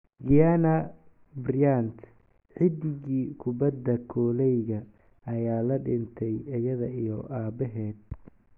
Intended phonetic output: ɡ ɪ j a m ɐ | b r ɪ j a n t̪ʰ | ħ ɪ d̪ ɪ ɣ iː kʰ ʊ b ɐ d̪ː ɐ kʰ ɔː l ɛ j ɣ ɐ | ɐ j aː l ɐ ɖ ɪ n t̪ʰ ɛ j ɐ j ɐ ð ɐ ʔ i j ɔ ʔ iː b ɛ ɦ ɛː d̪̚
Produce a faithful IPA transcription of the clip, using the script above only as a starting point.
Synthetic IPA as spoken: ɡ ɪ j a n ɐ | b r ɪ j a n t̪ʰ | ħ ɪ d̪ ɪ ɣ iː kʰ ʊ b ɐ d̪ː ɐ kʰ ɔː l ɛ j ɣ ɐ | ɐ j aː l ɐ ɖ ɪ n t̪ʰ ɛ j ɐ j ɐ ð ɐ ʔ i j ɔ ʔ aː b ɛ ɦ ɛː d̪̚